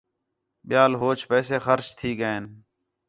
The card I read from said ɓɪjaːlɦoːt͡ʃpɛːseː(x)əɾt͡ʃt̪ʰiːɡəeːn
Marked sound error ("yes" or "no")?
no